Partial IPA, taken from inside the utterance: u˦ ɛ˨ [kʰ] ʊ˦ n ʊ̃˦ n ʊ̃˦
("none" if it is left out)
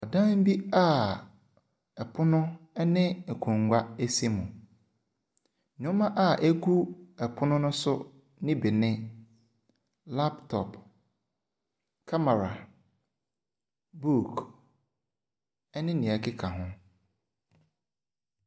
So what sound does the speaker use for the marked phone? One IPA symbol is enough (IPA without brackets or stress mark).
pʰ